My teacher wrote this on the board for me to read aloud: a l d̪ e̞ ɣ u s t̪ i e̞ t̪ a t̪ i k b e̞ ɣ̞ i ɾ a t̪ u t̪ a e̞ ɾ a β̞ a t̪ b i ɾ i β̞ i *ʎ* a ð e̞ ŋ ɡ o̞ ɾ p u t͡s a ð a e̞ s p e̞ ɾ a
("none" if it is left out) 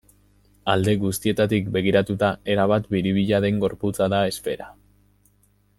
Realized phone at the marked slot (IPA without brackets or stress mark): ʎ